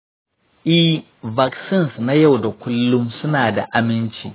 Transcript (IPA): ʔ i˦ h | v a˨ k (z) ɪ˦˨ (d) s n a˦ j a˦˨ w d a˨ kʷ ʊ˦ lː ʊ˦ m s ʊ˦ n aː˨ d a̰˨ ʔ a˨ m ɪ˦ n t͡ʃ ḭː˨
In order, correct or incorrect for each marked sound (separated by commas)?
incorrect, incorrect